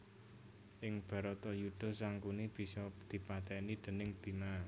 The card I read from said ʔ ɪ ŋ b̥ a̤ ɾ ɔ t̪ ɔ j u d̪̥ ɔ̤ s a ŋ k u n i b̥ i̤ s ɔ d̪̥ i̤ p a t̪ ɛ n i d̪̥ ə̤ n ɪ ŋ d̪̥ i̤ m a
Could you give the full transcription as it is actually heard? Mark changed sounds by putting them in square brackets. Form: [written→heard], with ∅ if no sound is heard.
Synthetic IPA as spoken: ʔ ɪ ŋ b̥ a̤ ɾ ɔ t̪ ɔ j u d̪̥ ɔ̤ s a ŋ k u n i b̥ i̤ s ɔ d̪̥ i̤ p a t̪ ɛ n i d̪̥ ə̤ n ɪ ŋ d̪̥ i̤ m a